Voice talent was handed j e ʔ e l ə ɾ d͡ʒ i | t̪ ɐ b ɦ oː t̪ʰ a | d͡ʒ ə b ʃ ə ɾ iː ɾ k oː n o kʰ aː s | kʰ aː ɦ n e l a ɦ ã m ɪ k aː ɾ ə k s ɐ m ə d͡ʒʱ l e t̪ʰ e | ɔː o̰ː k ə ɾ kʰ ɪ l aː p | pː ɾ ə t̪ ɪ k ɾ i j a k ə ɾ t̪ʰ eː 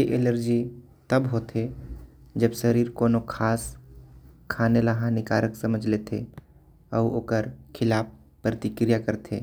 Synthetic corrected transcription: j e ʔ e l ə ɾ d͡ʒ i | t̪ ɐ b ɦ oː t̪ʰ e | d͡ʒ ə b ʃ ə ɾ iː ɾ k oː n o kʰ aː s | kʰ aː n e l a ɦ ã n ɪ k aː ɾ ə k s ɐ m ə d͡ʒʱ l e t̪ʰ e | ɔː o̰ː k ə ɾ kʰ ɪ l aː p | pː ɾ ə t̪ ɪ k ɾ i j a k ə ɾ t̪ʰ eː

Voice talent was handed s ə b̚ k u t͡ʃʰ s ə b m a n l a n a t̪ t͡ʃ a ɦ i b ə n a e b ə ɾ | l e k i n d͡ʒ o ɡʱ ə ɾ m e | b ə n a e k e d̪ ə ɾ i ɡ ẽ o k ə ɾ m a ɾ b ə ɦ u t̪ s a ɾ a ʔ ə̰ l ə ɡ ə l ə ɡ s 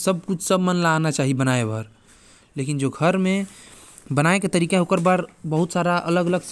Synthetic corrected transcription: s ə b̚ k u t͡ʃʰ s ə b m ə n l a n a t͡ʃ a ɦ i b ə n a e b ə ɾ | l e k i n d͡ʒ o ɡʱ ə ɾ m e | b ə n a e k e t̪ ə ɾ i k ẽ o k ə ɾ b a ɾ b ə ɦ u t̪ s a ɾ a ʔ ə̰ l ə ɡ ə l ə ɡ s

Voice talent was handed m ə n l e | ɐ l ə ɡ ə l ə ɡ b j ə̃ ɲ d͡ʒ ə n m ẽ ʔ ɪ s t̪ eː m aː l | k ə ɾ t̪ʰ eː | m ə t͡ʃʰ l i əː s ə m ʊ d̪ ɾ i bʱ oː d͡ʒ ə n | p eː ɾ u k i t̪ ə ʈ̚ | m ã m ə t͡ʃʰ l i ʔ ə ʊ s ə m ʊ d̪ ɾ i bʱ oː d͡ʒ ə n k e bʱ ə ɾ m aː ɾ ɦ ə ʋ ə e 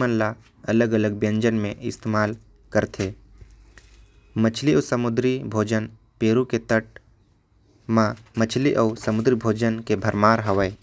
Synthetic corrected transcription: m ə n l a | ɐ l ə ɡ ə l ə ɡ b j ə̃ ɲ d͡ʒ ə n m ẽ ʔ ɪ s t̪ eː m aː l | k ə ɾ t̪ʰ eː | m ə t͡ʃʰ l i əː s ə m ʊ d̪ ɾ i bʱ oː d͡ʒ ə n | p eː ɾ u k e t̪ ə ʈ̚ | m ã m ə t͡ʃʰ l i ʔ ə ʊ s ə m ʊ d̪ ɾ i bʱ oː d͡ʒ ə n k e bʱ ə ɾ m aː ɾ ɦ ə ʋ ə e

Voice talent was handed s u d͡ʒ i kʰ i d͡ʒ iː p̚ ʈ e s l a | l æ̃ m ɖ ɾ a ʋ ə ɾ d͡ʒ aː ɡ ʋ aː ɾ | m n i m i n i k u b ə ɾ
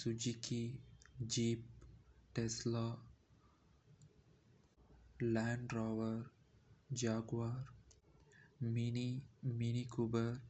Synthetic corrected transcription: s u d͡ʒ i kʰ i d͡ʒ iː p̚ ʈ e s l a | l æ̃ ɳ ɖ ɾ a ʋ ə ɾ d͡ʒ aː ɡ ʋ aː ɾ | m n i m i n i k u b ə ɾ

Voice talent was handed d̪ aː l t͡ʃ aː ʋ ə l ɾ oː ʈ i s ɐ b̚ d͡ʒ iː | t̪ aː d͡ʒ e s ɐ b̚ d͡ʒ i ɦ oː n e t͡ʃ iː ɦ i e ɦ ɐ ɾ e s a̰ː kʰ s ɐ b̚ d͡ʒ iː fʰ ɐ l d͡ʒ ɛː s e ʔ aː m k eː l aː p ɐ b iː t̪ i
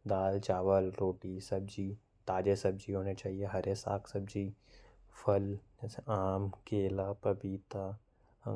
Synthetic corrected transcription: d̪ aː l t͡ʃ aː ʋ ə l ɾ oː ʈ i s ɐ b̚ d͡ʒ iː | t̪ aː d͡ʒ e s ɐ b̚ d͡ʒ i ɦ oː n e t͡ʃ aː ɦ i e ɦ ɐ ɾ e s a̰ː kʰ s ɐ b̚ d͡ʒ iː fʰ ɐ l d͡ʒ ɛː s e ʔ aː m k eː l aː p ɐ b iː t̪ a

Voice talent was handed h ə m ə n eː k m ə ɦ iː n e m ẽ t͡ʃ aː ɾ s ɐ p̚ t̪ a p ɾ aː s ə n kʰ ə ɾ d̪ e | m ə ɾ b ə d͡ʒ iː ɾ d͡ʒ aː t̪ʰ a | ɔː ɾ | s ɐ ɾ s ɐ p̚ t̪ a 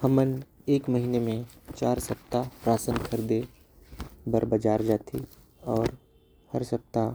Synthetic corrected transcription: h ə m ə n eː k m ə ɦ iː n e m ẽ t͡ʃ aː ɾ s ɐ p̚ t̪ a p ɾ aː s ə n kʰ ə ɾ d̪ e | b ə ɾ b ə d͡ʒ aː ɾ d͡ʒ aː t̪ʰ i | ɔː ɾ | h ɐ ɾ s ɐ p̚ t̪ a

